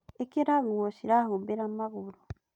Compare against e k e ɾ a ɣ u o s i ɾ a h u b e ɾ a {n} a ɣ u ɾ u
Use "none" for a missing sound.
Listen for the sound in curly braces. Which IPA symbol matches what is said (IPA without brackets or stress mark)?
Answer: m